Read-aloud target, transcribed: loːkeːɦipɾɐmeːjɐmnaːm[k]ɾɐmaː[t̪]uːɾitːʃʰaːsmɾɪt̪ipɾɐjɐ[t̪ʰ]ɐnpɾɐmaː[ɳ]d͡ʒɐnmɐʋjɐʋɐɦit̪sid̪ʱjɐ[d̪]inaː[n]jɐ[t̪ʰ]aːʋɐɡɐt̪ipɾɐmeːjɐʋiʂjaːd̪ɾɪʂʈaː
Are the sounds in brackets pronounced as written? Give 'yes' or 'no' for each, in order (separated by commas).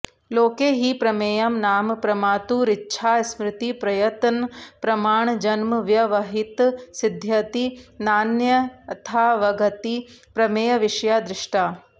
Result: no, yes, no, yes, no, yes, yes